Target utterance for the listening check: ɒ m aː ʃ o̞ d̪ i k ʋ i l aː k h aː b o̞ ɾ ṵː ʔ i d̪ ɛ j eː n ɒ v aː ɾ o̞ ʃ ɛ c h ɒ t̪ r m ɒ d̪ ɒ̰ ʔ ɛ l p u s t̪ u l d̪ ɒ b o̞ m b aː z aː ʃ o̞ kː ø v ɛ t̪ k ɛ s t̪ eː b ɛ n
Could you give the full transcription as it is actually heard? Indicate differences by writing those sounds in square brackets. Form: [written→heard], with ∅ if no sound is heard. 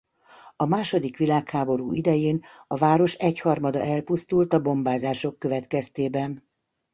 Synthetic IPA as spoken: ɒ m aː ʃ o̞ d̪ i k ʋ i l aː k h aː b o̞ ɾ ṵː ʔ i d̪ ɛ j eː n ɒ v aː ɾ o̞ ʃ ɛ c h ɒ [t̪→∅] r m ɒ d̪ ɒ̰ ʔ ɛ l p u s t̪ u l [d̪→t̪] ɒ b o̞ m b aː z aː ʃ o̞ kː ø v ɛ t̪ k ɛ s t̪ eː b ɛ n